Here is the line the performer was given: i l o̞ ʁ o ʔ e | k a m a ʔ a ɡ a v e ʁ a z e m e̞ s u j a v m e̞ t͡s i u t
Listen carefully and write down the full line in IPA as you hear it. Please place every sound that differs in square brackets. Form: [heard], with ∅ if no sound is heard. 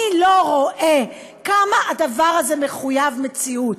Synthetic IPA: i l o̞ ʁ o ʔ e | k a m a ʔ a [d] a v [a] ʁ a z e m e̞ [χ] u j a v m e̞ t͡s i u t